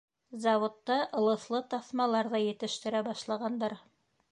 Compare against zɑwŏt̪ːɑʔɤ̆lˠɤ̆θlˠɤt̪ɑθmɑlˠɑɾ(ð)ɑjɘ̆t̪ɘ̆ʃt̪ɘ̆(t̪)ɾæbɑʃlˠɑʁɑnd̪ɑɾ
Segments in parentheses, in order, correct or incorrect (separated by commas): correct, incorrect